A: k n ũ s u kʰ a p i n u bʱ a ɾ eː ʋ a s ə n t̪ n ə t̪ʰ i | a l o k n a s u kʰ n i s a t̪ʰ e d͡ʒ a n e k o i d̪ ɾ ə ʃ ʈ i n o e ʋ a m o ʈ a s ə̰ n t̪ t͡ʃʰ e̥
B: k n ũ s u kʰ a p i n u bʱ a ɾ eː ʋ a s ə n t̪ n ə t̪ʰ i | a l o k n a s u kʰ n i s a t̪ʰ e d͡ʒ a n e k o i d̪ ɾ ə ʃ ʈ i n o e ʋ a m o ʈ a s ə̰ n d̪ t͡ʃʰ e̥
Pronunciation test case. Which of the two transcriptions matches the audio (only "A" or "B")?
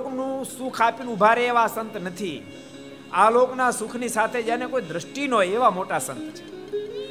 A